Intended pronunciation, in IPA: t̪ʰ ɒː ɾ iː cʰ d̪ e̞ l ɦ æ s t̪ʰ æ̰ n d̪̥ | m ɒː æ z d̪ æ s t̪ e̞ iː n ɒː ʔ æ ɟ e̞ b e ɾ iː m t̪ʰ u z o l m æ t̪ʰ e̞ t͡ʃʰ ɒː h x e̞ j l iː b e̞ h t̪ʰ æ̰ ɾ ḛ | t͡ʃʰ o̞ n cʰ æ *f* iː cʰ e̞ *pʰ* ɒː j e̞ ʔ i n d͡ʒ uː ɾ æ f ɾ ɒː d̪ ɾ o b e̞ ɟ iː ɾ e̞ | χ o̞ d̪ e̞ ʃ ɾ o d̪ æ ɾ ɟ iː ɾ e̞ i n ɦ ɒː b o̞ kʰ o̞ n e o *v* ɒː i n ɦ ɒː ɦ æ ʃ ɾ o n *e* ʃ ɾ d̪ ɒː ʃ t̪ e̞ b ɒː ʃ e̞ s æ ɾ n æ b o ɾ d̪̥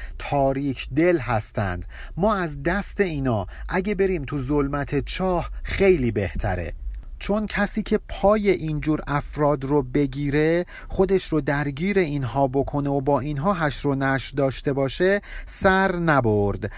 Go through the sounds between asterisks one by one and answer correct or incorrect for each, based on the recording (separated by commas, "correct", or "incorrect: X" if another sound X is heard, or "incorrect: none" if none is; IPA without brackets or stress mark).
incorrect: s, correct, incorrect: b, incorrect: æ